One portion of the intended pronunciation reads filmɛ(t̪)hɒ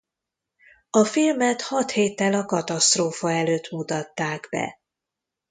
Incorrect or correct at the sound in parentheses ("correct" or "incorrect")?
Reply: correct